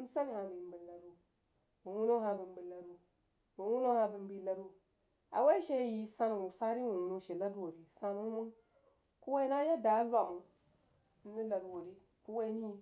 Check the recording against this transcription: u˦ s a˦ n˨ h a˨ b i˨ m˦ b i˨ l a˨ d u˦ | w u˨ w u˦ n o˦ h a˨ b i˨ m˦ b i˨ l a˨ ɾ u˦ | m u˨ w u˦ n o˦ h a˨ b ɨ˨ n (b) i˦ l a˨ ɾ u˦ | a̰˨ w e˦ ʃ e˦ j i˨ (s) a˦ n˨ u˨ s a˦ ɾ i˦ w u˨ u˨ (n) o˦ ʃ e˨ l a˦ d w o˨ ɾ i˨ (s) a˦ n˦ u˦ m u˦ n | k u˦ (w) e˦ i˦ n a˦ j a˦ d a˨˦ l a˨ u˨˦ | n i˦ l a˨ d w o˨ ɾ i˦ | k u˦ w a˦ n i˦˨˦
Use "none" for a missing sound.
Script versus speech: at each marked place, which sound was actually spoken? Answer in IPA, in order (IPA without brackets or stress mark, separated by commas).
b, s, n, s, w